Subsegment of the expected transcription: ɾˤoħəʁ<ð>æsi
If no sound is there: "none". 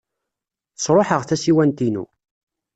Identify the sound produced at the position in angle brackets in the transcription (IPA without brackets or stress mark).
θ